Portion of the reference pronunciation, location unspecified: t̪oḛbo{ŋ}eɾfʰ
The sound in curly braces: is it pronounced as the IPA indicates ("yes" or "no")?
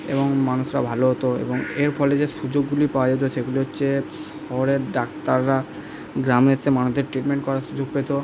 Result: yes